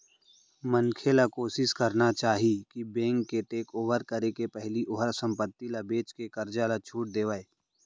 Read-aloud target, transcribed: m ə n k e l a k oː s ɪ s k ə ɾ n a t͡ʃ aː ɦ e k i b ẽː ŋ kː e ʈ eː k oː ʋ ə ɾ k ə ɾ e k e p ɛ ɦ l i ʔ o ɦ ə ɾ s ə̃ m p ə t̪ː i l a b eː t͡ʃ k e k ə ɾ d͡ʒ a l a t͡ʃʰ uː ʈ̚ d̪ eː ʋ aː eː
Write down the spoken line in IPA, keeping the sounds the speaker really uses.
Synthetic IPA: m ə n kʰ e l a k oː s ɪ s k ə ɾ n a t͡ʃ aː ɦ i k i b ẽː ŋ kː e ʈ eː k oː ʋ ə ɾ k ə ɾ e k e p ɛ ɦ l i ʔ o ɦ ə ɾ s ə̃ m p ə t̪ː i l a b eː t͡ʃ k e k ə ɾ d͡ʒ a l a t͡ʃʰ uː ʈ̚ d̪ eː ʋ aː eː